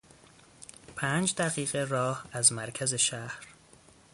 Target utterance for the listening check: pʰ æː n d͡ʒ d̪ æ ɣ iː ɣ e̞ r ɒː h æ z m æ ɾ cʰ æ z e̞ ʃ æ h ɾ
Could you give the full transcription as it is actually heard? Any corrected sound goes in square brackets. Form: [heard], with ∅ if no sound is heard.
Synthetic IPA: pʰ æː n d͡ʒ d̪ æ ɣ iː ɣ e̞ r ɒː h æ z m æ ɾ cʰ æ z e̞ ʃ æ h ɾ